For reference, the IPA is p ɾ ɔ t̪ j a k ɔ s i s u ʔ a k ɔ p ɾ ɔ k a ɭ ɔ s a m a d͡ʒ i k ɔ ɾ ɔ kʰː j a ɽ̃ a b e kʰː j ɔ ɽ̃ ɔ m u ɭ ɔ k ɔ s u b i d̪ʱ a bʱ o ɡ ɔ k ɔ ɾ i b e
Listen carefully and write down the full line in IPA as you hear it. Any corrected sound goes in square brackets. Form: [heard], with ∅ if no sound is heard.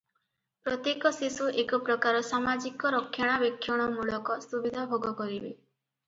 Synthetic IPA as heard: p ɾ ɔ t̪ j [e] k ɔ s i s u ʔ [e] k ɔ p ɾ ɔ k a [ɾ] ɔ s a m a d͡ʒ i k ɔ ɾ ɔ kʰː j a ɽ̃ a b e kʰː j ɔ ɽ̃ ɔ m u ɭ ɔ k ɔ s u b i d̪ʱ a bʱ o ɡ ɔ k ɔ ɾ i b e